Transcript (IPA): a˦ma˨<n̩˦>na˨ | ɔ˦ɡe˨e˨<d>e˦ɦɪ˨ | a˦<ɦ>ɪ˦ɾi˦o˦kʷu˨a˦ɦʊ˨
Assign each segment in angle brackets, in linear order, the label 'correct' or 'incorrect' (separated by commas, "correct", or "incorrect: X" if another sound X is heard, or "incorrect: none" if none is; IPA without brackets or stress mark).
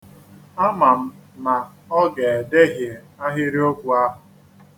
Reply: incorrect: m̩˦, correct, correct